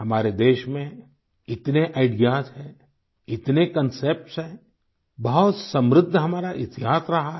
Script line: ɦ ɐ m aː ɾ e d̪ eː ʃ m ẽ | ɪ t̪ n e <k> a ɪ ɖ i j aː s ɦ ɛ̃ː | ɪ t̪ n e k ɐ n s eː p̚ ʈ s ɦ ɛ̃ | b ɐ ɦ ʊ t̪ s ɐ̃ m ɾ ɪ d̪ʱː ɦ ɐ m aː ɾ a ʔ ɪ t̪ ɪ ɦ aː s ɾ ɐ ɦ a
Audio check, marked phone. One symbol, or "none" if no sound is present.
ʔ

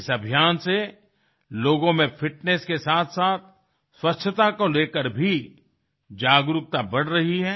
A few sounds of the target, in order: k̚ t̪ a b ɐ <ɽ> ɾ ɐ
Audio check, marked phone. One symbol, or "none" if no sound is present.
ɽ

